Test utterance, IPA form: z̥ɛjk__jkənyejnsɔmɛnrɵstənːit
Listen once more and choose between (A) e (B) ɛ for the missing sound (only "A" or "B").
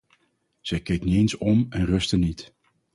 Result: A